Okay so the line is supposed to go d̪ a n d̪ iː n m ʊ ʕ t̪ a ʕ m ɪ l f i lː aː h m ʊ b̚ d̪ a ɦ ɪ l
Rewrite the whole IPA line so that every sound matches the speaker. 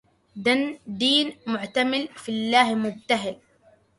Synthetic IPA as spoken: d̪ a n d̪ iː n m ʊ ʕ t̪ a m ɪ l f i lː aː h m ʊ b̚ t̪ a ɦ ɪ l